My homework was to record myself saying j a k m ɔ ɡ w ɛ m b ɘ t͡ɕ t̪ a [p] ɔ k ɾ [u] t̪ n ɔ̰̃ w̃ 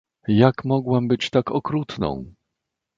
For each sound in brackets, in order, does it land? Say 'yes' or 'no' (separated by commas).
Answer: no, yes